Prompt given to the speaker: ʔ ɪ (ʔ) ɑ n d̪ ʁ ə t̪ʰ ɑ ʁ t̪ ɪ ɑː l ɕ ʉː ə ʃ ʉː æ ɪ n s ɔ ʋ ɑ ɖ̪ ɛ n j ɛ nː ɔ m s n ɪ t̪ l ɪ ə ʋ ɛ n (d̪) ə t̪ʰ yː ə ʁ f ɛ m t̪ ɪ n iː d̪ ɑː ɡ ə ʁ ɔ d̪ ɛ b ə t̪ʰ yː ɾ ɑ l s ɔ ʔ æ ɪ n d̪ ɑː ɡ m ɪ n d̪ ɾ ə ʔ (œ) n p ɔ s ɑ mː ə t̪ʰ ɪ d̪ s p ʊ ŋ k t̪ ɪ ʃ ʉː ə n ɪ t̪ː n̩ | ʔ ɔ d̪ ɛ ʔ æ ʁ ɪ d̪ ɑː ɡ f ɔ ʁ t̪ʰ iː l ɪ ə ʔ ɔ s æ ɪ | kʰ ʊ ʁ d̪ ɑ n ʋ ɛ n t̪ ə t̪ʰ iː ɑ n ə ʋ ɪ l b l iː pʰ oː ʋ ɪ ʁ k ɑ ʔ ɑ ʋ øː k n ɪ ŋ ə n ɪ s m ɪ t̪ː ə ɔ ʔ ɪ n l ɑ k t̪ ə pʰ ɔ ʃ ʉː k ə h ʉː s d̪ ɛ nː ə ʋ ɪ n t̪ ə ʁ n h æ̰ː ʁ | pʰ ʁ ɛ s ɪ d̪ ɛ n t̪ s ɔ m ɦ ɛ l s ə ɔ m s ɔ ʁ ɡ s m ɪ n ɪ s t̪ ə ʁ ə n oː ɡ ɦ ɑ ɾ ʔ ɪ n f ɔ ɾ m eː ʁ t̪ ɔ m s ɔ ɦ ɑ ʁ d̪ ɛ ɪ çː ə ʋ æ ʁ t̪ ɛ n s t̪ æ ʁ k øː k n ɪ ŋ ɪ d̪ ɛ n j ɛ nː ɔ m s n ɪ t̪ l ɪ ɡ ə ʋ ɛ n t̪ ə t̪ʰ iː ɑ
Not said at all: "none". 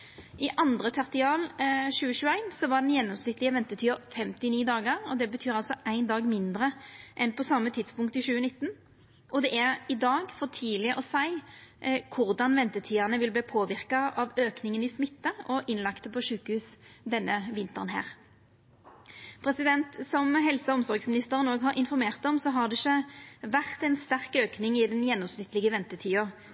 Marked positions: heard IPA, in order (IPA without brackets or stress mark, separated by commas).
ʔ, t̪, ɛ